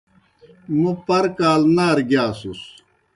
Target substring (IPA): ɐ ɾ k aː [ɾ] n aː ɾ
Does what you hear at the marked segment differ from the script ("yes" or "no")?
yes